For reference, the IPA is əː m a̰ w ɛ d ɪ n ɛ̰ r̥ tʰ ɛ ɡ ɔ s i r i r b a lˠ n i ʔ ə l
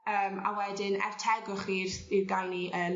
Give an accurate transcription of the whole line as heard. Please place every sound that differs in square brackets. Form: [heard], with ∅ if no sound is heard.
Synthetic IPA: əː m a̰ w ɛ d ɪ n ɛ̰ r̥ tʰ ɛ ɡ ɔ [χ] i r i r [ɡ] a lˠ n i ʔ ə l